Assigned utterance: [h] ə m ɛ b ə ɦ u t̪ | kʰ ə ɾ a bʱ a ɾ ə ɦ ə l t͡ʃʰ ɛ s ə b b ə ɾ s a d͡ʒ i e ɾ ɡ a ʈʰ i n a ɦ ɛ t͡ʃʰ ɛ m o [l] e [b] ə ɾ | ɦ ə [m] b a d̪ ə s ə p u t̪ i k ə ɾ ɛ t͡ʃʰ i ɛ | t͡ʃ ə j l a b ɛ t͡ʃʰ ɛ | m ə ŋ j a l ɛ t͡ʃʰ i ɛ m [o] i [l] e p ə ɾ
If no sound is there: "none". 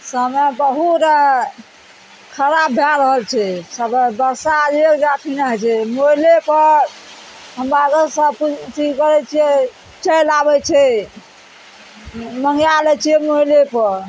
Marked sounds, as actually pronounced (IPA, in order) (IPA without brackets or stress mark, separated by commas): s, l, p, m, o, l